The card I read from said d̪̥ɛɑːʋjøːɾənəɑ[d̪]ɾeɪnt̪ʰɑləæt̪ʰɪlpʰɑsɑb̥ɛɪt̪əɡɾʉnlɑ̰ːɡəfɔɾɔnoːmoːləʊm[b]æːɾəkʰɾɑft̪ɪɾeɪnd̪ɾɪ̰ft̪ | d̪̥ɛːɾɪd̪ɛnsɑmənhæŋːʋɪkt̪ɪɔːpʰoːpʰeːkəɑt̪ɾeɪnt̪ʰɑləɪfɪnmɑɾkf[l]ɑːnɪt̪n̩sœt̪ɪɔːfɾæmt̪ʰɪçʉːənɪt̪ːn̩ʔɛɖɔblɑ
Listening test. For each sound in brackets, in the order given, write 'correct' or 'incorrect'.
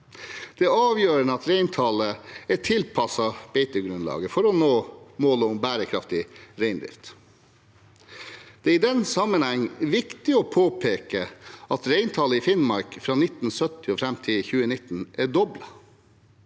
incorrect: t̪, correct, incorrect: ɾ

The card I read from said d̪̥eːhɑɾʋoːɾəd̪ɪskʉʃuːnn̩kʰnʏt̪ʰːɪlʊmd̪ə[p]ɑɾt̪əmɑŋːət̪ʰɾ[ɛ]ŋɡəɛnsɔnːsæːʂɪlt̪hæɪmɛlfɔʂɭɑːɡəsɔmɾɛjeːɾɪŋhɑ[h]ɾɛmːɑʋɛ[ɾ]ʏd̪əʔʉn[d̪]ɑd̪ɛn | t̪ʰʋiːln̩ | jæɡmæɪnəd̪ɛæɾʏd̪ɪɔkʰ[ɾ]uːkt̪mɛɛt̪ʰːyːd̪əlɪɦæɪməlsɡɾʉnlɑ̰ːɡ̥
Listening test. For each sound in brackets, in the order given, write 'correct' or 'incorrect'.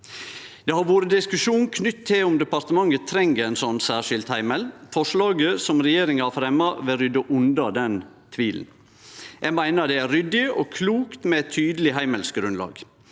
correct, correct, incorrect: f, correct, correct, incorrect: l

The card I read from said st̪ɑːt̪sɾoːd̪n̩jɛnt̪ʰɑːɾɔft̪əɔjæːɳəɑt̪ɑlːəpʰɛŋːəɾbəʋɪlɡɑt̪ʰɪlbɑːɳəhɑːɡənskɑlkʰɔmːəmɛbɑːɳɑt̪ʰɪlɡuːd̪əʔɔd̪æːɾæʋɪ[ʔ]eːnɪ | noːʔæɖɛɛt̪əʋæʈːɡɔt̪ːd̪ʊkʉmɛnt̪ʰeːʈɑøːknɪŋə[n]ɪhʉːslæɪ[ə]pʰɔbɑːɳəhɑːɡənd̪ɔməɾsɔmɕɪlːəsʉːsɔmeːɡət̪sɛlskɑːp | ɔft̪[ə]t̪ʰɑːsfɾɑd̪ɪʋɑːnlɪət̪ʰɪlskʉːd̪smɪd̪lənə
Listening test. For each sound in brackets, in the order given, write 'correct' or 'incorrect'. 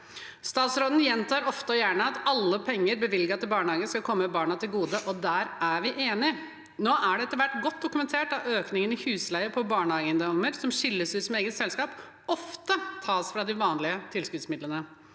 correct, correct, correct, correct

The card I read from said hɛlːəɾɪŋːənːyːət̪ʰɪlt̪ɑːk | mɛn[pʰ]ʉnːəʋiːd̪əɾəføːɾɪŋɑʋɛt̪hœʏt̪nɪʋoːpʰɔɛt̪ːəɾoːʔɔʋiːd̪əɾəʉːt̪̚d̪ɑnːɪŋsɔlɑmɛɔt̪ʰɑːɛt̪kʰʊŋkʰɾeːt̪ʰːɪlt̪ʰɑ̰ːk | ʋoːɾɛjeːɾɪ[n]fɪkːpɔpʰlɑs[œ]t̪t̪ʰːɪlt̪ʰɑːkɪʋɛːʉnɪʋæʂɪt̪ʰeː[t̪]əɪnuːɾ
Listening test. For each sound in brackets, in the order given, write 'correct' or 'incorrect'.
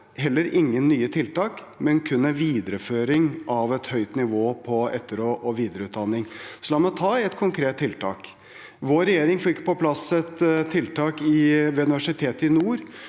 incorrect: kʰ, incorrect: ŋ, incorrect: ɛ, correct

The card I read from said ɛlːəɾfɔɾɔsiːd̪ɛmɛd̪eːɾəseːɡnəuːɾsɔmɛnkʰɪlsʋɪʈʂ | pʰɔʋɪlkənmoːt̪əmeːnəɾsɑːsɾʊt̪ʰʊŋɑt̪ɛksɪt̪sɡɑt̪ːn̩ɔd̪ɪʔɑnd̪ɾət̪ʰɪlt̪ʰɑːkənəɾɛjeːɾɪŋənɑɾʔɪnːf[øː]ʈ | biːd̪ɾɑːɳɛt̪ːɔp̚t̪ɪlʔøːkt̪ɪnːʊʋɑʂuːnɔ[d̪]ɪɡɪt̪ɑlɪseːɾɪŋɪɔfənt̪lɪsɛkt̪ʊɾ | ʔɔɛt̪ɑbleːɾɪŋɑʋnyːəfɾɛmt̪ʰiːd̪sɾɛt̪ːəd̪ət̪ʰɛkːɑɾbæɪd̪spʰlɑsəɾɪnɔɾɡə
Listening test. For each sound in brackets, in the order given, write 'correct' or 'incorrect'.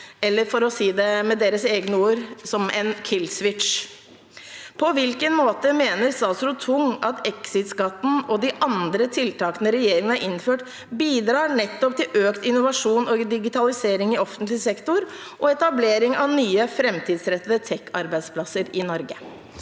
correct, correct

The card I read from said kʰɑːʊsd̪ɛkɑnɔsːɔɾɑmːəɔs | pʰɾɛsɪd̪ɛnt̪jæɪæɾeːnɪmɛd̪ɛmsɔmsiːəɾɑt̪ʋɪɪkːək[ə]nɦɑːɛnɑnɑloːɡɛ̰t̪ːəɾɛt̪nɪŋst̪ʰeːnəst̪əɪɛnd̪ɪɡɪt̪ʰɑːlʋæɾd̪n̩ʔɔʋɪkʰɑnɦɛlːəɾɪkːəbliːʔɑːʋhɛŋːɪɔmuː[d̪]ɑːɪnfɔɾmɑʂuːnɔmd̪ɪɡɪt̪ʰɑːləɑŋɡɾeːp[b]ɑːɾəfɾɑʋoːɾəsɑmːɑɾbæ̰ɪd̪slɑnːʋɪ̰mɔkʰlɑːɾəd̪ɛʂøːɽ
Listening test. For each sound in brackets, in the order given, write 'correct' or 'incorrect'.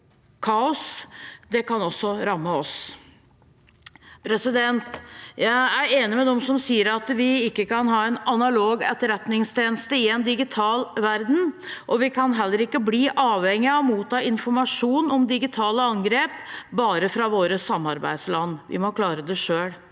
incorrect: ɑ, incorrect: t̪, correct

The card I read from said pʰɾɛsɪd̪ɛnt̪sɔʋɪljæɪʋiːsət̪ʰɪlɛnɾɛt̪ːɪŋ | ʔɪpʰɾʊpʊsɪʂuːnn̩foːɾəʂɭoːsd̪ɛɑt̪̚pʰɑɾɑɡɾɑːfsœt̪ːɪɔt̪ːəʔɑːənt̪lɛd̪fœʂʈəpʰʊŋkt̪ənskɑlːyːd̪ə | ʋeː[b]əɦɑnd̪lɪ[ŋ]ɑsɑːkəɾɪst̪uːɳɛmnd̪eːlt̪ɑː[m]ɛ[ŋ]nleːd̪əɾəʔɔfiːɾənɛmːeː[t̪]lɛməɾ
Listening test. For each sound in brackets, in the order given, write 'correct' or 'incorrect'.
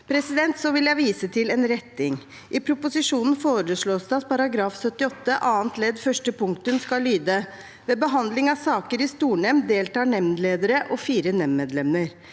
correct, correct, incorrect: ɳ, incorrect: m, incorrect: d̪

